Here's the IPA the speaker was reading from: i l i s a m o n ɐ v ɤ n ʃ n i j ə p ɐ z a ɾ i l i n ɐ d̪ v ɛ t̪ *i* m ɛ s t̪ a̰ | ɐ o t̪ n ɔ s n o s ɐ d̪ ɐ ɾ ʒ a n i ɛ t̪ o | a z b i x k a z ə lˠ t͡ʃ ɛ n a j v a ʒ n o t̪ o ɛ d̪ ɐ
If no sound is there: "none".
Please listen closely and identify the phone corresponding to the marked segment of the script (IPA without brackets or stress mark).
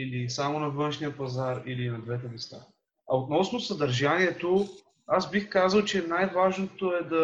ɛ